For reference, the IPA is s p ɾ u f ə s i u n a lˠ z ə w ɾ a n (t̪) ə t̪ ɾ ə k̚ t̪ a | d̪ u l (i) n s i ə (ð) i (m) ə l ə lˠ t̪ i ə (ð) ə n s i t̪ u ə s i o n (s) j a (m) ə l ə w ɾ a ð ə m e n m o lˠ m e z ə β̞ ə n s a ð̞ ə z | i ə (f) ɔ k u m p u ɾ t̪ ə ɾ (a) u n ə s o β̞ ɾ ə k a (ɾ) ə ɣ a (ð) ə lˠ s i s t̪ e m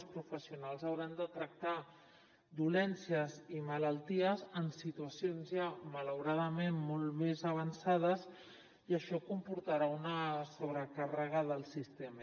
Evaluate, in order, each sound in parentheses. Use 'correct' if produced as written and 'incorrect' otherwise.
incorrect, incorrect, incorrect, correct, incorrect, incorrect, correct, incorrect, correct, incorrect, correct

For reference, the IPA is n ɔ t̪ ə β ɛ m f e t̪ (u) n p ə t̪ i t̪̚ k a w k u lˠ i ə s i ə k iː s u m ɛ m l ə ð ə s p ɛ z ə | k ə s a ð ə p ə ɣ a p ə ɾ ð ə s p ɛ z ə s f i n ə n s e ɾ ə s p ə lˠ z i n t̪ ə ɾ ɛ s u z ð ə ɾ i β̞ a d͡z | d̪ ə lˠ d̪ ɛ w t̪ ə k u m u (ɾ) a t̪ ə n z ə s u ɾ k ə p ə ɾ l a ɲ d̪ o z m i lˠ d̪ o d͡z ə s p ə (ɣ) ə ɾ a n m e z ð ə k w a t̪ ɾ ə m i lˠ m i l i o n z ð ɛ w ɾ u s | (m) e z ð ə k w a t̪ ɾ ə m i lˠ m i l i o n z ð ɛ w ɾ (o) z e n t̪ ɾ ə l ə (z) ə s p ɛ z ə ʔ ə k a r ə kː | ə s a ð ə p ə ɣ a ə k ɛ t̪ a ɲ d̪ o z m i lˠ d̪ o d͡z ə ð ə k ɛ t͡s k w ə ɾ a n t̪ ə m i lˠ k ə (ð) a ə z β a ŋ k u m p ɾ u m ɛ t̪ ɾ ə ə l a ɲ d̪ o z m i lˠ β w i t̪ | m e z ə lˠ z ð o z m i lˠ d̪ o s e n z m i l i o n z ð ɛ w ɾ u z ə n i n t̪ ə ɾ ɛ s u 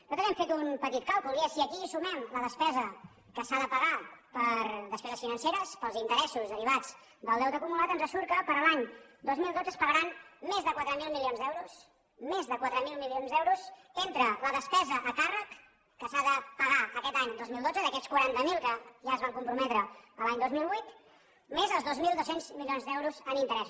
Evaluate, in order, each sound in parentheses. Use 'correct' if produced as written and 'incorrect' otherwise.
correct, incorrect, correct, correct, incorrect, incorrect, incorrect

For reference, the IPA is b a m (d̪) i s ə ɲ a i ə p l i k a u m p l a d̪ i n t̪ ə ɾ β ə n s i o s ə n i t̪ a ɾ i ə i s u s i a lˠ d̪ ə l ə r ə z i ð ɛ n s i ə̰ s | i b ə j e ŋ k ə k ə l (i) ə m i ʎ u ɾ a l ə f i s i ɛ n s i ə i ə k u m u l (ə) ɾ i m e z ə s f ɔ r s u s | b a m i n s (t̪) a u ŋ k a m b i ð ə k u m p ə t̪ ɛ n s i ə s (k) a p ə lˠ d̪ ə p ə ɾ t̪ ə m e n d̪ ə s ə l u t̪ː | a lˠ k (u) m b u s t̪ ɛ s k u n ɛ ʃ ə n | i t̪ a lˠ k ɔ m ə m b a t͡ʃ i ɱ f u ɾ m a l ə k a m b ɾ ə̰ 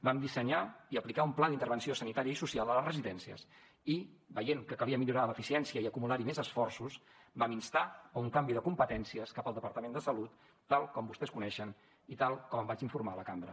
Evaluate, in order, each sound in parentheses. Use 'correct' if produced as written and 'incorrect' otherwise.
correct, correct, incorrect, correct, correct, incorrect

